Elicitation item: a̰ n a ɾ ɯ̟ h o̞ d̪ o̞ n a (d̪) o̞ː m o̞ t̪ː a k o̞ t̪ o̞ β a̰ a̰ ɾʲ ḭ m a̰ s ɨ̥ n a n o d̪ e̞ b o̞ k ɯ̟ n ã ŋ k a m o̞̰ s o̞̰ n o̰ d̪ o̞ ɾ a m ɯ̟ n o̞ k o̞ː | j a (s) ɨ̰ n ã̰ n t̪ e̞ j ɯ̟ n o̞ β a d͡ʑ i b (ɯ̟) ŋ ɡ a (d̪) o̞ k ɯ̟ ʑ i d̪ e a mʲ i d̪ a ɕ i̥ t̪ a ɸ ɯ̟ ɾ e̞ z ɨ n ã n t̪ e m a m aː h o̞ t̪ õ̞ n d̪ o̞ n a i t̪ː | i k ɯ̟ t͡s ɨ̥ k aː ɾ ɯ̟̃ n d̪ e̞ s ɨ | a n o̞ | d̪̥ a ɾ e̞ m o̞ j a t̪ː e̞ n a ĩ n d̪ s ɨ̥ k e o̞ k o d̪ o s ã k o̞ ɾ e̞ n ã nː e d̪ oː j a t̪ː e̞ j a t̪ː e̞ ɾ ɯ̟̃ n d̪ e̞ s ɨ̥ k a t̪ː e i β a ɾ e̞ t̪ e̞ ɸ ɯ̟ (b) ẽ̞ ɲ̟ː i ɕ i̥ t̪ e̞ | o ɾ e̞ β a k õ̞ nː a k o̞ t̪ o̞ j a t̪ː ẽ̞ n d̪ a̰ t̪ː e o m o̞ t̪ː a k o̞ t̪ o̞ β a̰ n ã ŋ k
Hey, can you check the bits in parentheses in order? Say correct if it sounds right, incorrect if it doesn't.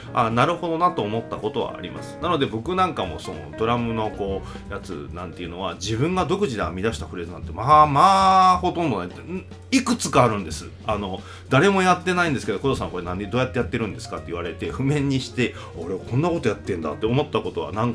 incorrect: t̪, incorrect: t͡s, incorrect: ɯ̟̃, correct, incorrect: m

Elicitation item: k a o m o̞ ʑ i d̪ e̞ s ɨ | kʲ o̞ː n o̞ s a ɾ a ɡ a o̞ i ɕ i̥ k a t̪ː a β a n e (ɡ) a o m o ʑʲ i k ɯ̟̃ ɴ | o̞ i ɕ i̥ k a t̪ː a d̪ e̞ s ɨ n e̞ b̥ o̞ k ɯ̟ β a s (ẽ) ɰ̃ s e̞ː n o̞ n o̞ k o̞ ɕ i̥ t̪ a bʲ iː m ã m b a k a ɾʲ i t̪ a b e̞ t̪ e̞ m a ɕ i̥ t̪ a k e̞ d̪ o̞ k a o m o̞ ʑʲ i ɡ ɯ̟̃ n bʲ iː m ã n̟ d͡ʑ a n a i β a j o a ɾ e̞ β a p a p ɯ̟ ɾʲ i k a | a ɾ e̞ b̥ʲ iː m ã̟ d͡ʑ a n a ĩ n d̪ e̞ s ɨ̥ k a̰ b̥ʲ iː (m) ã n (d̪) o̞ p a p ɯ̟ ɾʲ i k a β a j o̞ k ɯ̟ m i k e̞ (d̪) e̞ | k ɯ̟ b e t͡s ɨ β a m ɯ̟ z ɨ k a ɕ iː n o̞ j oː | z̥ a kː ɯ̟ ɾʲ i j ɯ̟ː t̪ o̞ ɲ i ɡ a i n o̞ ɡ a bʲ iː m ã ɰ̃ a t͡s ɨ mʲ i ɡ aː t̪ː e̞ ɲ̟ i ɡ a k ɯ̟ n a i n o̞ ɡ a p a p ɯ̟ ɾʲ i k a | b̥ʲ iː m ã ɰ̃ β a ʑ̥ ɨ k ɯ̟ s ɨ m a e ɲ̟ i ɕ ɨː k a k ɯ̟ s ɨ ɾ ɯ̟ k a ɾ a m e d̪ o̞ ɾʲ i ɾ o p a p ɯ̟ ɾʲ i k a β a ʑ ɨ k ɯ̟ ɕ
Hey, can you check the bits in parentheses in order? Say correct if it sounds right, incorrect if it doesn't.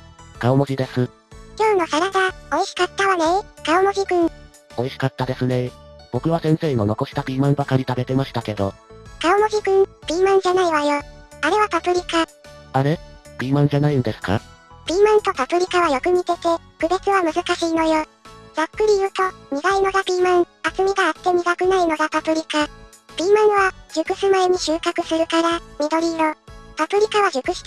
incorrect: k, correct, correct, incorrect: t̪, incorrect: t̪

